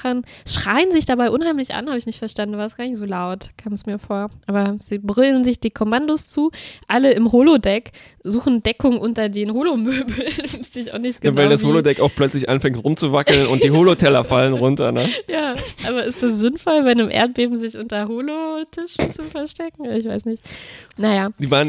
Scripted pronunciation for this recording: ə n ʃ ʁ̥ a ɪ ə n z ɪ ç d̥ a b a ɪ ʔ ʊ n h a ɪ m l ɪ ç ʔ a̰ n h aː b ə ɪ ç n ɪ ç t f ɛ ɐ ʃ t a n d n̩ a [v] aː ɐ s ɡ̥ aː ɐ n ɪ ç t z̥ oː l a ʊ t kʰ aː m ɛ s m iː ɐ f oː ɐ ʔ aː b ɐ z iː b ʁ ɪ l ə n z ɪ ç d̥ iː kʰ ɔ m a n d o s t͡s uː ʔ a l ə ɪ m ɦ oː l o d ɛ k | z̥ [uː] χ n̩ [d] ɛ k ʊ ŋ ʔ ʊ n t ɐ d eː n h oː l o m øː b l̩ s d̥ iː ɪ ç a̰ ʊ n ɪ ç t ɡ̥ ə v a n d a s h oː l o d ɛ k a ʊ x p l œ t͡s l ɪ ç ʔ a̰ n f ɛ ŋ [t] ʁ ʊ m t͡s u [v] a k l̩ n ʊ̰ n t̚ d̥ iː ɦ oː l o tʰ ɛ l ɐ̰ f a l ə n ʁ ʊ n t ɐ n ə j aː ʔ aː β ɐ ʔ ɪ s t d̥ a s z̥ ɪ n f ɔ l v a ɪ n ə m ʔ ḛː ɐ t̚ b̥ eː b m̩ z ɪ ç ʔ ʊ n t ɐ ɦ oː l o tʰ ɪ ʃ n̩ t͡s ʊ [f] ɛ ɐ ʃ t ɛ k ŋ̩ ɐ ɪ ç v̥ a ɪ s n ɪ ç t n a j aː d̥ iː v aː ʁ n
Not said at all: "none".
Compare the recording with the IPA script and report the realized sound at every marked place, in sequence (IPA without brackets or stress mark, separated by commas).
v, uː, d, t, v, f